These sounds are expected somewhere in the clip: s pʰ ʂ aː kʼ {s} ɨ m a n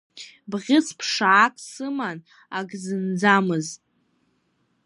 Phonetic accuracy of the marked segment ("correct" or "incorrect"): correct